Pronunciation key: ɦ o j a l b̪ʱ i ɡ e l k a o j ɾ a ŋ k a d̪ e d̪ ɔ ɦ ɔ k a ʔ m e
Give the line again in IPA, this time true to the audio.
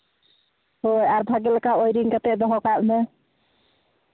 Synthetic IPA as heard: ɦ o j a ɾ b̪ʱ a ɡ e l k a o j ɾ i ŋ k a t̪ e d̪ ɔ ɦ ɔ k a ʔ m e